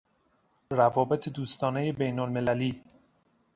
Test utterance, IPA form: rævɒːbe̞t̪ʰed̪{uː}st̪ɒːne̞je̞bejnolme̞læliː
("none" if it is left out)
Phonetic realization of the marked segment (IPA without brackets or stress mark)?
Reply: uː